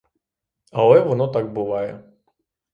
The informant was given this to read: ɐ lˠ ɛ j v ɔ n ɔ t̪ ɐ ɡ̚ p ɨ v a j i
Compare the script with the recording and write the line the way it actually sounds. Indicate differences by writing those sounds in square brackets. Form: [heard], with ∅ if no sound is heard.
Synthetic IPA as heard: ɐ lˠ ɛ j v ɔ n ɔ t̪ [a] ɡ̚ [b] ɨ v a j [ɛ]